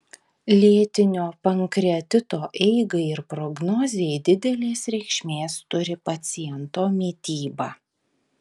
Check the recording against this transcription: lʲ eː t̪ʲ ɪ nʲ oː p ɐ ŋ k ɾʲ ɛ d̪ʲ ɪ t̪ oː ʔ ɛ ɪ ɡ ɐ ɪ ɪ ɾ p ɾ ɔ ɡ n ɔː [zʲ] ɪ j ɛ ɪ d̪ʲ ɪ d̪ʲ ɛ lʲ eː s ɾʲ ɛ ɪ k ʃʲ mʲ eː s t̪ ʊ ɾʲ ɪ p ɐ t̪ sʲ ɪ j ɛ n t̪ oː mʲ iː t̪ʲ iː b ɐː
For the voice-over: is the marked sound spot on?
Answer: yes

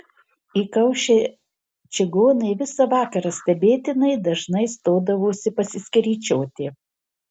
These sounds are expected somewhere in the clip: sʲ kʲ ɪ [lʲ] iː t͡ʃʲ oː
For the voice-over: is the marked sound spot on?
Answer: no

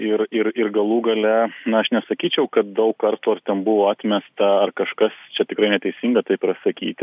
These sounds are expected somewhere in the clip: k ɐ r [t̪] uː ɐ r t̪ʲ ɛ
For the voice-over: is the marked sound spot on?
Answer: yes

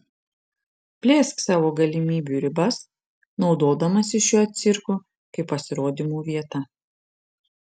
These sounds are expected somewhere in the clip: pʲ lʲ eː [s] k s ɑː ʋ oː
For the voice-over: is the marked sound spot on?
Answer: yes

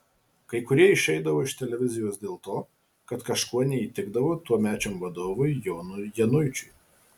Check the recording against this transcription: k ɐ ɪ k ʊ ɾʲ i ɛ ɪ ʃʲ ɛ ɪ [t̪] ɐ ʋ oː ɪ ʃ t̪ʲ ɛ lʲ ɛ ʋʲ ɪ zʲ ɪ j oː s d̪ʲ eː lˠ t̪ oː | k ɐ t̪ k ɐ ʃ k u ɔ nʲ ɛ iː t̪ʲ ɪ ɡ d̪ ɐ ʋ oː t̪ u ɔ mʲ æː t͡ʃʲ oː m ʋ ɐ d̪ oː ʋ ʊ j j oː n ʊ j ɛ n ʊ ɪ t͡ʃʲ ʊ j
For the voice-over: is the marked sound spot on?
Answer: no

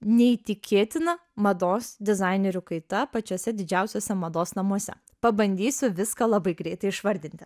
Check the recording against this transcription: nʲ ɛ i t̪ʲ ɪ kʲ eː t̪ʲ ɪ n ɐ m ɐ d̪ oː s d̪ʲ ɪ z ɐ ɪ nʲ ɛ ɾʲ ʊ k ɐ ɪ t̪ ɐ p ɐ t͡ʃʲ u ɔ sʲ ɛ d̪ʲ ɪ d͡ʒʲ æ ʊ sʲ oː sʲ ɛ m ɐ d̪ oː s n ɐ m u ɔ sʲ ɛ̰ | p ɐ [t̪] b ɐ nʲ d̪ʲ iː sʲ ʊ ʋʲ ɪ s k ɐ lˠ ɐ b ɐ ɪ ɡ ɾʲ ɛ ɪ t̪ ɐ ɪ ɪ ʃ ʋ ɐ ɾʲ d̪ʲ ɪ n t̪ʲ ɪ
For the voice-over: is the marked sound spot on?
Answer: no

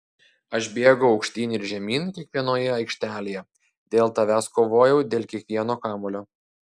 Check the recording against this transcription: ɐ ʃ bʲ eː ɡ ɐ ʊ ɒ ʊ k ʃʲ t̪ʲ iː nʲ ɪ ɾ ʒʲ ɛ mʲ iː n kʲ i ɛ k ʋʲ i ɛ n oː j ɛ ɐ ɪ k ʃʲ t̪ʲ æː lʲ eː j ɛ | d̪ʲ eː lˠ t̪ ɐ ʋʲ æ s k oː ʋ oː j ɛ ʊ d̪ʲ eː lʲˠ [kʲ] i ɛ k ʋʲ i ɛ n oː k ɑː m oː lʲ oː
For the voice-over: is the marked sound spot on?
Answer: yes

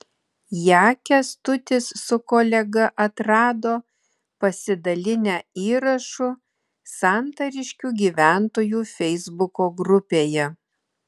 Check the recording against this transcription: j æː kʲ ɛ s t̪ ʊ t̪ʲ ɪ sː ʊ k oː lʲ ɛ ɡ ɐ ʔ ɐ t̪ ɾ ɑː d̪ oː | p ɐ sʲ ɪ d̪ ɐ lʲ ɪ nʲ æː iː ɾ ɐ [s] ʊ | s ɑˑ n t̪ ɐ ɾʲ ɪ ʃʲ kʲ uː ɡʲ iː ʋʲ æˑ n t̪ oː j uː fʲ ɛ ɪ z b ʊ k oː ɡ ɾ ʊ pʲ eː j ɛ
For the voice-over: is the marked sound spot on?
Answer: no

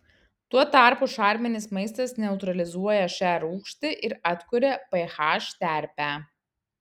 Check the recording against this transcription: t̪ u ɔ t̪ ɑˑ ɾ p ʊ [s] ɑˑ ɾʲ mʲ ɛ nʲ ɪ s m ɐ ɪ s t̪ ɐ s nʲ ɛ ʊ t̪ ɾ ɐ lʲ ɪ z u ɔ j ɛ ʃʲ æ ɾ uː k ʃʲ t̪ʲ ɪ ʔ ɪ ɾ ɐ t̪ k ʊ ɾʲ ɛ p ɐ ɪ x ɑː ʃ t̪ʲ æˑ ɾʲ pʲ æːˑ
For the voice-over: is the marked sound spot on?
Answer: no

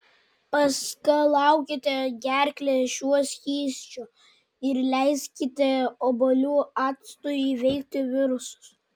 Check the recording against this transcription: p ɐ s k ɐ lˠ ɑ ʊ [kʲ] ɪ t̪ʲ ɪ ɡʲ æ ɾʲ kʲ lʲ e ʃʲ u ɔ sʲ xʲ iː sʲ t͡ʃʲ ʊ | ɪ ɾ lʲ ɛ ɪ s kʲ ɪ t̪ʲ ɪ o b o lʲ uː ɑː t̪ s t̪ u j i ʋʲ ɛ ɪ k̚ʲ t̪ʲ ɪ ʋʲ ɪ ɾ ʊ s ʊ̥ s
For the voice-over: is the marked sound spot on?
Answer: yes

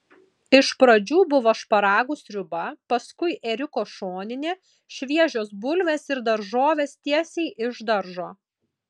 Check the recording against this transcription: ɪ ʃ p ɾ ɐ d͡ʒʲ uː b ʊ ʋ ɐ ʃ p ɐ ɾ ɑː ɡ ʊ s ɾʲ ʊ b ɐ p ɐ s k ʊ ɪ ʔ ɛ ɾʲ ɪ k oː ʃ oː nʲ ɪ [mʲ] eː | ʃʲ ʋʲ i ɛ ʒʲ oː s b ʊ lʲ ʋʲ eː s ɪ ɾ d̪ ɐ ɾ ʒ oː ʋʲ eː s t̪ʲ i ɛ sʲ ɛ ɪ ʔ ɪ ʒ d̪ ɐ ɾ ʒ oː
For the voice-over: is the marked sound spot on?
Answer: no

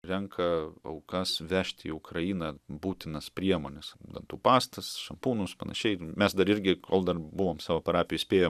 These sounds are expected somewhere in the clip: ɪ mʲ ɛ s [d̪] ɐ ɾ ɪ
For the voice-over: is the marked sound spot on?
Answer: yes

